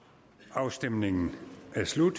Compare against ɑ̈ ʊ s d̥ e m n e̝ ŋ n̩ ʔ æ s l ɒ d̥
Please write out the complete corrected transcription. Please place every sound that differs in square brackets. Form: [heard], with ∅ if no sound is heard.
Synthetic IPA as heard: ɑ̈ ʊ s d̥ e m n e̝ ŋ n̩ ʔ æ s l [u] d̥